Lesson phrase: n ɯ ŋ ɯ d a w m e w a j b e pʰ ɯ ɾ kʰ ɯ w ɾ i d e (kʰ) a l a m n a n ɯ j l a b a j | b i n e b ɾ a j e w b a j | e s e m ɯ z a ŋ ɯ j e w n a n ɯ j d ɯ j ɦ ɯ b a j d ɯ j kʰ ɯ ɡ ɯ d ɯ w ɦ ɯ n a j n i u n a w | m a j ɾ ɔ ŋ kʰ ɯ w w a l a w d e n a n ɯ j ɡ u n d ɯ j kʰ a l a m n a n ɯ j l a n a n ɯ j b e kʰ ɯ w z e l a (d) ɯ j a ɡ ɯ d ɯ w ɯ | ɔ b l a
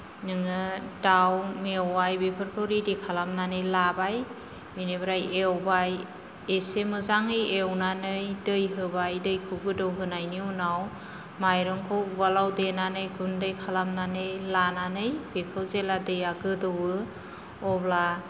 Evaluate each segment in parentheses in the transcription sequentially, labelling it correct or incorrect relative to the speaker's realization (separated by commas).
correct, correct